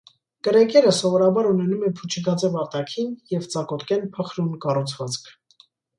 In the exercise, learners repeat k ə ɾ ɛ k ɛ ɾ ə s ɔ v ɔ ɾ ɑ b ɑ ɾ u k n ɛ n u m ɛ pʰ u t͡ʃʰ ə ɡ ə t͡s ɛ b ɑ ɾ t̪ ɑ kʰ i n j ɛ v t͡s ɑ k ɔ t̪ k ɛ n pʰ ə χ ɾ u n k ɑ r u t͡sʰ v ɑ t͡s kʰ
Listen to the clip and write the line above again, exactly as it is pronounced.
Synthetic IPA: k ə ɾ ɛ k ɛ ɾ ə s ɔ v ɔ ɾ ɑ b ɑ ɾ u n ɛ n u m ɛ pʰ u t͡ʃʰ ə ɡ ɑ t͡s ɛ v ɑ ɾ t̪ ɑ kʰ i n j ɛ v t͡s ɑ k ɔ t̪ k ɛ n pʰ ə χ ɾ u n k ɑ r u t͡sʰ v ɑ t͡s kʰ